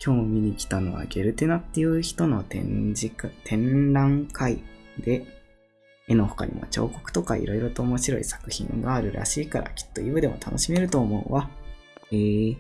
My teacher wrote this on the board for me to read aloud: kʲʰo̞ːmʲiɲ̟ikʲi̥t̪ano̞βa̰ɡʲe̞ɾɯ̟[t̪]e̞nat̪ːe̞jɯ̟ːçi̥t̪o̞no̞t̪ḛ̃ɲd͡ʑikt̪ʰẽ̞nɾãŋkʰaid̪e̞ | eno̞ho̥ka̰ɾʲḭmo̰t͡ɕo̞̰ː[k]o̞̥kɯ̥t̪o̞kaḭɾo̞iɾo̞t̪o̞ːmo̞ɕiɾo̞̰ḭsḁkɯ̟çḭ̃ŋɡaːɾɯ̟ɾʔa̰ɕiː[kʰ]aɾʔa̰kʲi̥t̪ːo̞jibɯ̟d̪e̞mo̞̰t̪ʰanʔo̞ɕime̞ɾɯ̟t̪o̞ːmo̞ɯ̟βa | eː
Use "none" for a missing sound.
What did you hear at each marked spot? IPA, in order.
t̪, k, k

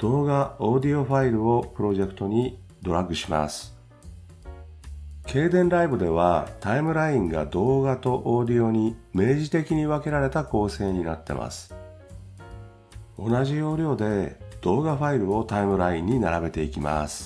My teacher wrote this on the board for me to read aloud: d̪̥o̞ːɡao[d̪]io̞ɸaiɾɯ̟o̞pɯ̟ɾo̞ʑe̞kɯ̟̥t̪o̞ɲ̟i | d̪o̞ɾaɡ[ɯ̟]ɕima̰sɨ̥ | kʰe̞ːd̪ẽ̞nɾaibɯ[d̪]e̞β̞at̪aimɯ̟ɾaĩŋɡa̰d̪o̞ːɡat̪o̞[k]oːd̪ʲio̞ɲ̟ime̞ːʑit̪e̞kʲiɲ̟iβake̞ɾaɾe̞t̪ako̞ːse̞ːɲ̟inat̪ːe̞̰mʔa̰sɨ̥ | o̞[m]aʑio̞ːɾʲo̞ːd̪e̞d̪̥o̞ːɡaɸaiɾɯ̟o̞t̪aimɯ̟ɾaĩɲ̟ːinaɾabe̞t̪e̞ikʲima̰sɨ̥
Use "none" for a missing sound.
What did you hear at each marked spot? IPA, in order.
d̪, ɯ̟, d̪, ʔ, n

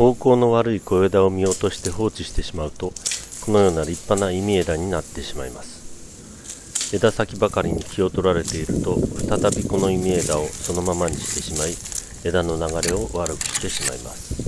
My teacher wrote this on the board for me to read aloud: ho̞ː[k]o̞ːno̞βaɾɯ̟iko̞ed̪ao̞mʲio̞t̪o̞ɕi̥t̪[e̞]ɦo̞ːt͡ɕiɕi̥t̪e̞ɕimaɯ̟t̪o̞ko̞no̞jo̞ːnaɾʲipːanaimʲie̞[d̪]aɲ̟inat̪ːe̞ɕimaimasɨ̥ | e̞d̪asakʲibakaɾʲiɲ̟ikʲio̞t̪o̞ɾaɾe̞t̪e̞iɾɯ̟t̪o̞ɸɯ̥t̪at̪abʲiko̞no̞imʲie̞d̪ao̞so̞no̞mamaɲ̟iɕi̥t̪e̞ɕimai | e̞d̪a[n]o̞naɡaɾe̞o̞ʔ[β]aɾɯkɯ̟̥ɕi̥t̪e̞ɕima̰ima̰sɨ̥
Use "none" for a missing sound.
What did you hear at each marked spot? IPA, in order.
k, e̞, d̪, n, β

